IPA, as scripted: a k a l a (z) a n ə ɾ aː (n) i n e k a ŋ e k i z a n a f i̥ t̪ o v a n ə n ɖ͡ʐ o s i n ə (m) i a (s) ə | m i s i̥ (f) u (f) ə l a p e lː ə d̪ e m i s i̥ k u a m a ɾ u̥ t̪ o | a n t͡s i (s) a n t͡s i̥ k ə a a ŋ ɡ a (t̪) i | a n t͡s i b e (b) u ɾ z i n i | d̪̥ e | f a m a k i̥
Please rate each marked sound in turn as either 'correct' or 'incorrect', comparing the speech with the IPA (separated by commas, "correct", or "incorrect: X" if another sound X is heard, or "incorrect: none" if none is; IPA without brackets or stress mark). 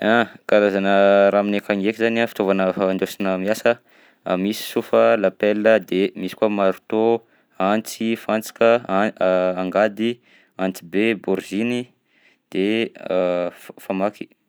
correct, incorrect: m, correct, correct, incorrect: s, correct, incorrect: f, incorrect: d̪, correct